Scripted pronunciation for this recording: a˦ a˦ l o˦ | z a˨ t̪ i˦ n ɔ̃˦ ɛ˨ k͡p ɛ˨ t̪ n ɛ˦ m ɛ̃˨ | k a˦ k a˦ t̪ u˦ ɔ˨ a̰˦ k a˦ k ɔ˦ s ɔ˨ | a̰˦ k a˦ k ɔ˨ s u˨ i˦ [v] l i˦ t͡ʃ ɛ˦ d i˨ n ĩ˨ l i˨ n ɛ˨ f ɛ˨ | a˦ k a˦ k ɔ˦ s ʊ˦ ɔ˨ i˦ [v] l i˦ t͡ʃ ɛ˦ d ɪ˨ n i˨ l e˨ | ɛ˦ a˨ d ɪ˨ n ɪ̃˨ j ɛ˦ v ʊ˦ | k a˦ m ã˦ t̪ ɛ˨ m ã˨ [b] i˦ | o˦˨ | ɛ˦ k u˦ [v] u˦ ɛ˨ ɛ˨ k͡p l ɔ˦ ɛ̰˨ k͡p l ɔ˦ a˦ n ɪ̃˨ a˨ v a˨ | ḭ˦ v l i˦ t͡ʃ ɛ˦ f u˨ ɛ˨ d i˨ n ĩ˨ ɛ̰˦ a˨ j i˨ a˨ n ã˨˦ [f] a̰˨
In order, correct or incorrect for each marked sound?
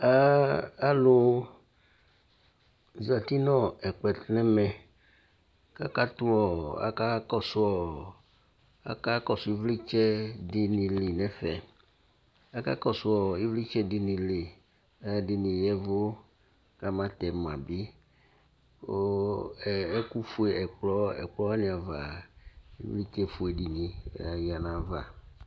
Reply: correct, correct, correct, incorrect: f, incorrect: v

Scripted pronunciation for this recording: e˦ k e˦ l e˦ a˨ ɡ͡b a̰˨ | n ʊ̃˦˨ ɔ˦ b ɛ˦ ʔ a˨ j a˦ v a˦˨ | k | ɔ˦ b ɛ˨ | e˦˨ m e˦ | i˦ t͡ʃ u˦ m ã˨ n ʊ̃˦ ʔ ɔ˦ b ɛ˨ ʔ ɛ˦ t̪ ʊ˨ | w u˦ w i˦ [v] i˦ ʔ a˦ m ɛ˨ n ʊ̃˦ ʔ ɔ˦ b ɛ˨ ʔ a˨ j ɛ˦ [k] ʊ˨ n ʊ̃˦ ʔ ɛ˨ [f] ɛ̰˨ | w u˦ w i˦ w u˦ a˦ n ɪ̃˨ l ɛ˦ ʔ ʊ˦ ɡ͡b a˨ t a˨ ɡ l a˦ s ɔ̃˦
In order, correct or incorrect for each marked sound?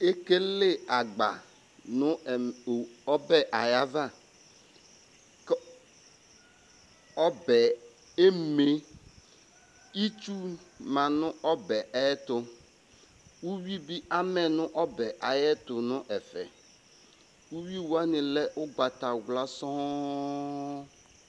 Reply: incorrect: b, incorrect: t, correct

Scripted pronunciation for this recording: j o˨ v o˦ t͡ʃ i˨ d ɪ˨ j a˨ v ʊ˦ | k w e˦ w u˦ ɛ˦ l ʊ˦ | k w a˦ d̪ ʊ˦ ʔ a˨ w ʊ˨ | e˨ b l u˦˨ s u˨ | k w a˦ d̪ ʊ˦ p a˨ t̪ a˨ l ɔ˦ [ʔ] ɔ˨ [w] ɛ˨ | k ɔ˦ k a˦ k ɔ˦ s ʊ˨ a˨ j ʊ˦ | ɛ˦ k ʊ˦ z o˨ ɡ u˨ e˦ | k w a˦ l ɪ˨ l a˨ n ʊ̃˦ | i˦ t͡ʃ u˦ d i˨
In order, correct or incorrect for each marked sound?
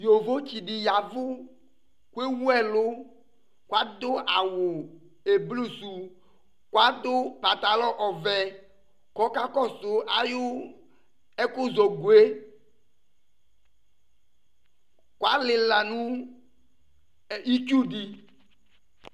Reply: correct, incorrect: v

